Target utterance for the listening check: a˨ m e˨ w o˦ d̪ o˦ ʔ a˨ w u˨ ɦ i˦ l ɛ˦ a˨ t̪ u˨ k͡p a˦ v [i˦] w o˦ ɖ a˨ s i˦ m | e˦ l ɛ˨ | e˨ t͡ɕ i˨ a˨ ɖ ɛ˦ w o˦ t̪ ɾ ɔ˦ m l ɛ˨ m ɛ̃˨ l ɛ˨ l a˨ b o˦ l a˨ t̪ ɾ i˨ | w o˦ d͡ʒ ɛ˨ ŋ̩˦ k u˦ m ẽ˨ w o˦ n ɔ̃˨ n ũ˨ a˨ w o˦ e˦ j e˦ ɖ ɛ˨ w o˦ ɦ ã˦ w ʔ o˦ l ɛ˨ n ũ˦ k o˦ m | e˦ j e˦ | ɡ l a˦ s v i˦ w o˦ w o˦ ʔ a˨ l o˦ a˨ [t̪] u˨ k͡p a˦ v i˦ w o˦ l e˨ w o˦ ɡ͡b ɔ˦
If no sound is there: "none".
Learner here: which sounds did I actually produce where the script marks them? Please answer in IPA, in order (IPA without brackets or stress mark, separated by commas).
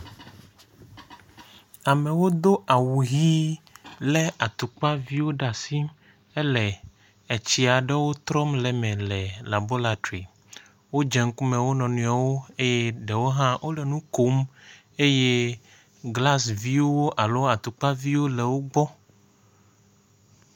i˦, t̪